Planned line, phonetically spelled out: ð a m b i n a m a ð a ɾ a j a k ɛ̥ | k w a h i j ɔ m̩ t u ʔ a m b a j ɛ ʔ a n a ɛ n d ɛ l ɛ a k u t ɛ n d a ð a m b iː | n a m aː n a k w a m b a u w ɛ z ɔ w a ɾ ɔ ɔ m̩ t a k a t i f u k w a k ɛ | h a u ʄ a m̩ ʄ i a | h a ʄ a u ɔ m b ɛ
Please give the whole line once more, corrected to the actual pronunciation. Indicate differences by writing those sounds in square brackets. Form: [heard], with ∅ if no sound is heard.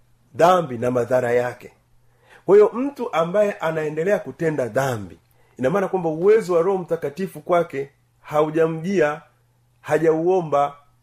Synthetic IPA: ð a m b i n a m a ð a ɾ a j a k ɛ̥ | k w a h i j ɔ m̩ t u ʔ a m b a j ɛ ʔ a n a ɛ n d ɛ l ɛ a k u t ɛ n d a ð a m b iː | n a m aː n a k w a m b a u w ɛ z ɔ w a ɾ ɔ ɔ m̩ t a k a t i f u k w a k ɛ | h a u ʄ a m̩ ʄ i a | h a ʄ a u ɔ m b [a]